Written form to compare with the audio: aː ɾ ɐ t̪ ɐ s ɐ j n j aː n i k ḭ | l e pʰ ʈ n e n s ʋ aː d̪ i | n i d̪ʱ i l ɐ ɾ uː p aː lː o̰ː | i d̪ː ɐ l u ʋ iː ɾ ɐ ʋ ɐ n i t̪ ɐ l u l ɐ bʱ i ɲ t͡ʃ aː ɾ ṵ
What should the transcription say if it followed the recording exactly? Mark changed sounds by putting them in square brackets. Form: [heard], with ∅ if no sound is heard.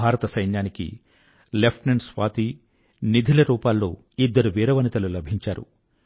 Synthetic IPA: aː ɾ ɐ t̪ ɐ s ɐ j n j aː n i k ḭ | l e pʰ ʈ n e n s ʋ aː [t̪] i | n i d̪ʱ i l ɐ ɾ uː p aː lː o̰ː | i d̪ː ɐ [ɾ] u ʋ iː ɾ ɐ ʋ ɐ n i t̪ ɐ l u l ɐ bʱ i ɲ t͡ʃ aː ɾ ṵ